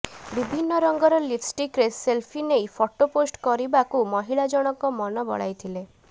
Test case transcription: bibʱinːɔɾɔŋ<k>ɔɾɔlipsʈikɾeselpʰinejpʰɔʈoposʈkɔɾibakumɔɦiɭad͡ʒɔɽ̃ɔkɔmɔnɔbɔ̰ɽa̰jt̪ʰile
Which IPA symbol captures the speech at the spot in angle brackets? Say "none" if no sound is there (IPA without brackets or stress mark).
ɡ